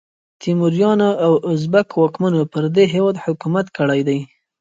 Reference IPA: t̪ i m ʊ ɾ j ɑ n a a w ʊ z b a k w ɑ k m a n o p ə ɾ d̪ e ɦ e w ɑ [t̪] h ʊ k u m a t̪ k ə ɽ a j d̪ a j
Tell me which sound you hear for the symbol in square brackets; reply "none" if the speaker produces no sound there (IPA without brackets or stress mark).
d̪